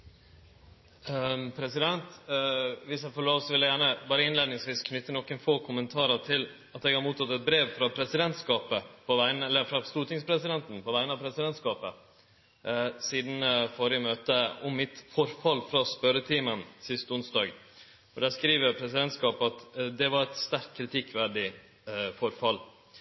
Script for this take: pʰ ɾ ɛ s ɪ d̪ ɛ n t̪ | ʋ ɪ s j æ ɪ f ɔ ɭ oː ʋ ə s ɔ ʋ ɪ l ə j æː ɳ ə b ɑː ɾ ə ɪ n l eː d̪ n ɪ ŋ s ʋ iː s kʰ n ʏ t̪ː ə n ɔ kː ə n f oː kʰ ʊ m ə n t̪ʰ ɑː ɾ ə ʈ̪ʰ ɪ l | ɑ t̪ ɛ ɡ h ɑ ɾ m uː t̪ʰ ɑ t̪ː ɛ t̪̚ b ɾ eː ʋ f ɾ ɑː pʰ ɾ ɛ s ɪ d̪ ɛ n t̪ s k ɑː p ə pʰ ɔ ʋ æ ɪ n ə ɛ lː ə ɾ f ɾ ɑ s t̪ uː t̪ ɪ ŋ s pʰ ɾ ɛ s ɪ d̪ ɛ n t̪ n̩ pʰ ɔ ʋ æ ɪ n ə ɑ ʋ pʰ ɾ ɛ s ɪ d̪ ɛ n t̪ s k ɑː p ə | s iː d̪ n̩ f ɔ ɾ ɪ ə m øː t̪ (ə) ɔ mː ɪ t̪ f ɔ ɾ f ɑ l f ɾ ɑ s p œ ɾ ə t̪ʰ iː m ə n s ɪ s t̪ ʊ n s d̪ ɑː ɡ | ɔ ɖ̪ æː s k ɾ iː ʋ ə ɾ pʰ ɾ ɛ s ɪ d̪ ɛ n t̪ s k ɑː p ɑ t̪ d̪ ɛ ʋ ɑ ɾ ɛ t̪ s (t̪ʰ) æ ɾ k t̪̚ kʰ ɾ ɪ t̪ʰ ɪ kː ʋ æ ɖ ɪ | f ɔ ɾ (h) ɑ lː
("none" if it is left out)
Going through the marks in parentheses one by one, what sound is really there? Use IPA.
ə, t̪, f

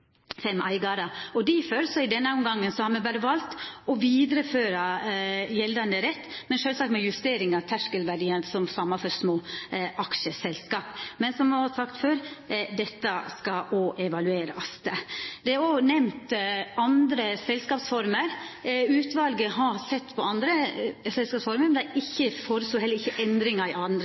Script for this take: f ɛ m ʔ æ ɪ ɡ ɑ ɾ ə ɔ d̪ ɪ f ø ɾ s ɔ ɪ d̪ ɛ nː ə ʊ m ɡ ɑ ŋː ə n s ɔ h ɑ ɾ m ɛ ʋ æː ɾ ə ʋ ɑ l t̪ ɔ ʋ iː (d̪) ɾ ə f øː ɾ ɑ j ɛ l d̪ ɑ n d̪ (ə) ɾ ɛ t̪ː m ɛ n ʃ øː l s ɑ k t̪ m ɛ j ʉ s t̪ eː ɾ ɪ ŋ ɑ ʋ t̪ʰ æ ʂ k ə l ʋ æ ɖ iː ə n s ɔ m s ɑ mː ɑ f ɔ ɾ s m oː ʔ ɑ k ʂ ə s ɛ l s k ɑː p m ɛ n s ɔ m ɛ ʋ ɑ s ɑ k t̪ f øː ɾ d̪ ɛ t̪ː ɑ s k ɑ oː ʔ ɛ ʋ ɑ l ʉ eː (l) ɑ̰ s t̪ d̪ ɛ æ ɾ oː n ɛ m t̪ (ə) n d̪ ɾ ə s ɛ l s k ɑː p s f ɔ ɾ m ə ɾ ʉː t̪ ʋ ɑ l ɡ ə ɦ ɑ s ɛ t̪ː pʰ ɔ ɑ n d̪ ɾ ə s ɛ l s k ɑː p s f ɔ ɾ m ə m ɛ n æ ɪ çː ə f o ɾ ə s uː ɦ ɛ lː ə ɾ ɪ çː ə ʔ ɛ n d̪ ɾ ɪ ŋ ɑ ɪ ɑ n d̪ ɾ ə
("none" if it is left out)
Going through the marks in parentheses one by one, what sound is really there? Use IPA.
d̪, ə, ɾ, ɑ

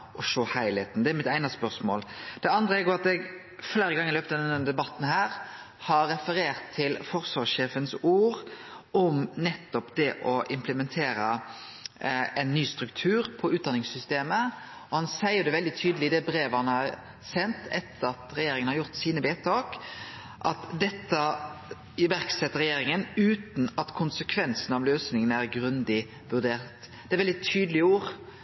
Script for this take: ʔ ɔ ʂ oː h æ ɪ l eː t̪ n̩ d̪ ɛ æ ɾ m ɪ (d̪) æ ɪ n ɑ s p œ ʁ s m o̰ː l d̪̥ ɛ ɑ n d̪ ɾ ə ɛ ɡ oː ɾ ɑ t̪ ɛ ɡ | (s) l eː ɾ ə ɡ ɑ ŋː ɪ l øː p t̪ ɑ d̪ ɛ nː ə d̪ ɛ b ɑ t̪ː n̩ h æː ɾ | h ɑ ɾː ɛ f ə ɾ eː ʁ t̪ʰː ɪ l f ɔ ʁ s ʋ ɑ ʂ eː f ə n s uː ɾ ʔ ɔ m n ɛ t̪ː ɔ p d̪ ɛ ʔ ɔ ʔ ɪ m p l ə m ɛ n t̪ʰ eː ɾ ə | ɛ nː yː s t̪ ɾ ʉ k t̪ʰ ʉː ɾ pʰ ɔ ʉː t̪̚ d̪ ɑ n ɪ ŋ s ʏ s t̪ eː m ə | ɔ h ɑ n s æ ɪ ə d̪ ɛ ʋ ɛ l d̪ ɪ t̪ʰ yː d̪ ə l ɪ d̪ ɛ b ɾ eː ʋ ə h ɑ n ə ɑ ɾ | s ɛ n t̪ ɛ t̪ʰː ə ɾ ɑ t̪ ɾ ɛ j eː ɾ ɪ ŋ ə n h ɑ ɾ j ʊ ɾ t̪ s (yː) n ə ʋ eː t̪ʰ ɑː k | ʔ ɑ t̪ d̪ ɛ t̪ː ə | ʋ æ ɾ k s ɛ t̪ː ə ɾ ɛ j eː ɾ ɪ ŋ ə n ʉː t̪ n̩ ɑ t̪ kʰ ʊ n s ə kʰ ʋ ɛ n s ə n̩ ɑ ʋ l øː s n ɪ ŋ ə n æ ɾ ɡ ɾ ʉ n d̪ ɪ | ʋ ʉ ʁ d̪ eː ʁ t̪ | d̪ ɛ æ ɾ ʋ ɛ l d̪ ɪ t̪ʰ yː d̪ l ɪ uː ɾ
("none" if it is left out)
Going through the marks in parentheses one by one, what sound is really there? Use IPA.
t̪, f, iː

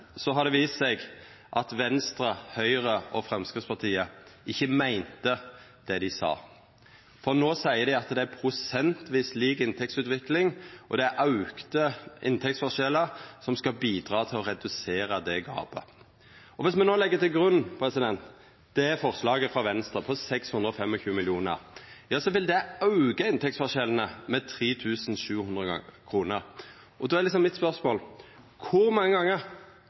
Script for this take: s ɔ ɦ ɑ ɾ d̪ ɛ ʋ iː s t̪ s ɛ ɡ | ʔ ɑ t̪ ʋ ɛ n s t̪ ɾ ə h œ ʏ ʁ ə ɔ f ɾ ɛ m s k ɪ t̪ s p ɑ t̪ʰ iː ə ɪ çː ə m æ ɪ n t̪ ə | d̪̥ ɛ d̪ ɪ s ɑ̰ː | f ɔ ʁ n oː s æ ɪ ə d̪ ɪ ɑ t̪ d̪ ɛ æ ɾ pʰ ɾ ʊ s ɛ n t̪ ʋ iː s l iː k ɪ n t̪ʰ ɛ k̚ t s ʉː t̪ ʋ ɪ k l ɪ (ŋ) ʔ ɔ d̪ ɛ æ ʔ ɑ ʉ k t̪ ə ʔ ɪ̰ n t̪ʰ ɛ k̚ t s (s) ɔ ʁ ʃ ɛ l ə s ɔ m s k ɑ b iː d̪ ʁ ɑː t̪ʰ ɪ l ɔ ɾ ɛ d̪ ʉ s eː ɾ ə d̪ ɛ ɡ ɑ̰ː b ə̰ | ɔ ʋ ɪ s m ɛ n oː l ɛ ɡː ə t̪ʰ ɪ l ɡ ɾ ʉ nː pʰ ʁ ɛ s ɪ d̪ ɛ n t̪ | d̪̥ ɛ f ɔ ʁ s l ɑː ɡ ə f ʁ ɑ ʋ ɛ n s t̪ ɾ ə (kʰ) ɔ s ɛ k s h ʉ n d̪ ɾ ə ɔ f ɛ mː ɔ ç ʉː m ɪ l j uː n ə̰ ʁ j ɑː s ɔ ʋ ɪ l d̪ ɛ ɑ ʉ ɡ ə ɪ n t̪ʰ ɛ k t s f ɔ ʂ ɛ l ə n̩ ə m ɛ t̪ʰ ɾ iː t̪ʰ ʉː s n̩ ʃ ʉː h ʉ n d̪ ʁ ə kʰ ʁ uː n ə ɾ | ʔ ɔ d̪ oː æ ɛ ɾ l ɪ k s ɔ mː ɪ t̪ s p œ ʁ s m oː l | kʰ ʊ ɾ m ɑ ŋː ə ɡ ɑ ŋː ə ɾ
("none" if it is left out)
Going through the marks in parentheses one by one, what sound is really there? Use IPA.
ŋ, f, pʰ

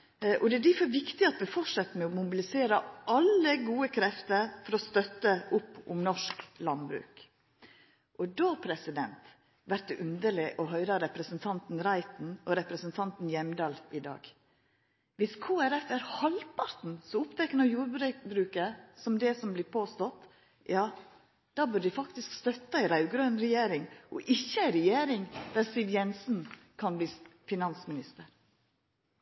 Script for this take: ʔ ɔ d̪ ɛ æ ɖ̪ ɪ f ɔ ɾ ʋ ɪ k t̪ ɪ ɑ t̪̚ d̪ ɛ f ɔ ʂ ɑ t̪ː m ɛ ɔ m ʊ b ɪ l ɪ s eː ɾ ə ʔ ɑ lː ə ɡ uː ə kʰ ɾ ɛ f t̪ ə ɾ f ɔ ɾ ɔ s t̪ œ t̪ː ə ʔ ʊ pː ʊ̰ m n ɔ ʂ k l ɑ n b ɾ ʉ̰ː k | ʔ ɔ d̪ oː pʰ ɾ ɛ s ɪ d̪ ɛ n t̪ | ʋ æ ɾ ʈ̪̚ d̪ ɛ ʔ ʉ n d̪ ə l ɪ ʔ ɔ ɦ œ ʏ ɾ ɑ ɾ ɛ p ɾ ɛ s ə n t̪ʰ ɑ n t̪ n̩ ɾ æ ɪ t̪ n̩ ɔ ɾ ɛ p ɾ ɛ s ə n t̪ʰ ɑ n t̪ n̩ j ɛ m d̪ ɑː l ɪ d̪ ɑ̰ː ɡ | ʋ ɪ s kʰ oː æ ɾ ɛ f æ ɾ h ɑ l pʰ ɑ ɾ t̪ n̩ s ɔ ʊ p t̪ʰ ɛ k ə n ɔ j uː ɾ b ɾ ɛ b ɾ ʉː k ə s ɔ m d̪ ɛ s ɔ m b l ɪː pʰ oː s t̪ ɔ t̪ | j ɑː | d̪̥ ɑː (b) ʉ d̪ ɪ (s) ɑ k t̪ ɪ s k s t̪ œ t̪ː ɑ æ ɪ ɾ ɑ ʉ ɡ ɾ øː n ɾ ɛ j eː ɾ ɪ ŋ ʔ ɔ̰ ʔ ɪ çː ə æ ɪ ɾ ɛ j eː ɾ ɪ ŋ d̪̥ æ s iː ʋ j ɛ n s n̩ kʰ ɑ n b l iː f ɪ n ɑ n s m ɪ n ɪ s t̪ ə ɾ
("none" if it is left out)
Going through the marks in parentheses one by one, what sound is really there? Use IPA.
b, f

